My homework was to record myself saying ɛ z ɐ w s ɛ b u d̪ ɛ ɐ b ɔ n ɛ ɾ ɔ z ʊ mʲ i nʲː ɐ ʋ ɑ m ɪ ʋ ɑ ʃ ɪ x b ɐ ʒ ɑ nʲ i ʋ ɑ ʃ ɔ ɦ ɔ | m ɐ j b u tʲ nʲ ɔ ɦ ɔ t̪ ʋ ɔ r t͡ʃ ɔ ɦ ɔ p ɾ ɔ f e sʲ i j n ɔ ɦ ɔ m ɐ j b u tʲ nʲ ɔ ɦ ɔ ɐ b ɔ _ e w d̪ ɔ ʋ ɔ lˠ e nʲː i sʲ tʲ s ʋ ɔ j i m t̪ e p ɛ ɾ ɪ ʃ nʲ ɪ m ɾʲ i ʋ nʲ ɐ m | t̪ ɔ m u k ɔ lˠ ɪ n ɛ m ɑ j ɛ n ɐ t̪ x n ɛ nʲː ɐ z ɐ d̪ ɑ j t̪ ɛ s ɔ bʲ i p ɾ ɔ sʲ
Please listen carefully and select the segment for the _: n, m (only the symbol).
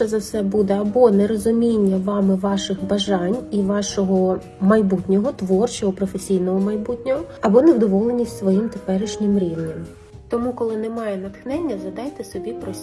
n